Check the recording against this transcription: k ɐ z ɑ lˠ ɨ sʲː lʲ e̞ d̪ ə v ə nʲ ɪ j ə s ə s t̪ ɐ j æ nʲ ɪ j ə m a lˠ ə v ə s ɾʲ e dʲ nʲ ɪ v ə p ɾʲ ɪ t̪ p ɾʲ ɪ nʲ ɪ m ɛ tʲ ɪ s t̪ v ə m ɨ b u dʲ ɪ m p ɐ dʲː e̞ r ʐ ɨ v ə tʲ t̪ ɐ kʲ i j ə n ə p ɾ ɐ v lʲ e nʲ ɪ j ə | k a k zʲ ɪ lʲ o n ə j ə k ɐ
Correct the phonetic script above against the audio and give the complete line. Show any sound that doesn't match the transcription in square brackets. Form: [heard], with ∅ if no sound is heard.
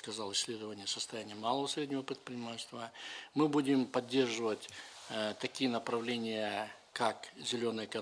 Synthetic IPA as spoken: k ɐ z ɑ lˠ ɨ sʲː lʲ e̞ d̪ ə v ə nʲ ɪ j ə s ə s t̪ ɐ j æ nʲ ɪ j ə m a lˠ ə v ə s ɾʲ e dʲ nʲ ɪ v ə p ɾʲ ɪ t̪ p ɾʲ ɪ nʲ ɪ m [a] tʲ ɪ s t̪ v ə m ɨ b u dʲ ɪ m p ɐ dʲː e̞ r ʐ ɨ v ə tʲ t̪ ɐ kʲ i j ə n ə p ɾ ɐ v lʲ e nʲ ɪ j ə | k a k zʲ ɪ lʲ o n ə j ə k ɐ